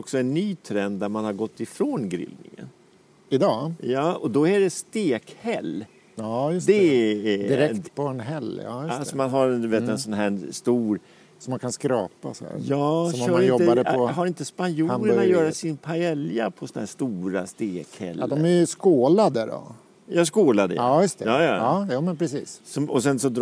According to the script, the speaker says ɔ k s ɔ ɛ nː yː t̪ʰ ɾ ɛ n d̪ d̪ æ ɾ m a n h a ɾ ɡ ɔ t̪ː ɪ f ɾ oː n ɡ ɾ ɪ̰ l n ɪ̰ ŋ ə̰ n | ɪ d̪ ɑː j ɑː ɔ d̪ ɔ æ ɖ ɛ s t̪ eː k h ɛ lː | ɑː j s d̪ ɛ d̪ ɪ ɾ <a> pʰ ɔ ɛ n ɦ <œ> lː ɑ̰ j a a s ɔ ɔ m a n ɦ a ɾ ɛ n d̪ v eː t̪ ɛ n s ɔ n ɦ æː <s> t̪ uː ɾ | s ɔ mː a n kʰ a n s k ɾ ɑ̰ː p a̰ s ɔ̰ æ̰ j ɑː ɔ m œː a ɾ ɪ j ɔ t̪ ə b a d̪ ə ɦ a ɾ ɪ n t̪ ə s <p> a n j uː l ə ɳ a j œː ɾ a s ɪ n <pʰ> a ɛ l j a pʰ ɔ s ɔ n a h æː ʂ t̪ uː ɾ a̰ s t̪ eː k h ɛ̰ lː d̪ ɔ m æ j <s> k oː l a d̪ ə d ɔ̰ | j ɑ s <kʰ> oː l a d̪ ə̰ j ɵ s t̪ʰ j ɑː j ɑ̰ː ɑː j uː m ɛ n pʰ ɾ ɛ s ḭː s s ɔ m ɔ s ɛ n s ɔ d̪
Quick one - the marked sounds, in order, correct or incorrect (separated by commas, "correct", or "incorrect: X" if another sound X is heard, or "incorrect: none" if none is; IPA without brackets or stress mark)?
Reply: incorrect: ɛ, incorrect: ɛ, correct, correct, correct, correct, incorrect: k